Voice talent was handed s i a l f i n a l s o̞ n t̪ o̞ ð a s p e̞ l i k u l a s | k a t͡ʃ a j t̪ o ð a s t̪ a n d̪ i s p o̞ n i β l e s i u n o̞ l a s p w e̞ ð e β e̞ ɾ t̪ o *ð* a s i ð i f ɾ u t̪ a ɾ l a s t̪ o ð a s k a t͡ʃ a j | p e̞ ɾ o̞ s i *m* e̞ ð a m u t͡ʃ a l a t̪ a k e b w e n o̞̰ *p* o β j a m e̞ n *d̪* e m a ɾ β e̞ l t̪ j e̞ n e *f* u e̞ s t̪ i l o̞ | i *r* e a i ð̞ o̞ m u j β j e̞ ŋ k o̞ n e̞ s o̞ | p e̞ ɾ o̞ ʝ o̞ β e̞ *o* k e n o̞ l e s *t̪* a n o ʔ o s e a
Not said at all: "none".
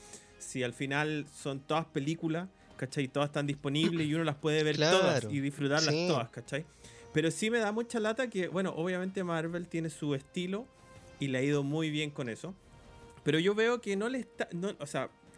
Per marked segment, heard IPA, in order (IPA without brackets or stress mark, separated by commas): ð, m, ʔ, t̪, s, l, o, t̪